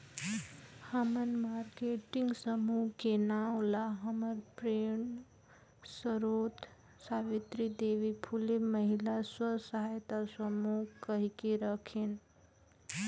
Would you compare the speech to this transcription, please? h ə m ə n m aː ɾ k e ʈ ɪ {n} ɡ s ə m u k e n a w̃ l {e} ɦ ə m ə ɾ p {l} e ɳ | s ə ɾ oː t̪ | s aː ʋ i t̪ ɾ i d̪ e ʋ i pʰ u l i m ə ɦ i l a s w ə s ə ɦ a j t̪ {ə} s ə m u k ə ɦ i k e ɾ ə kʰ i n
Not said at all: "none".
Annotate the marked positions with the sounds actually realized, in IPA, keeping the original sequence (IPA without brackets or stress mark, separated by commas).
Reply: ŋ, a, ɾ, a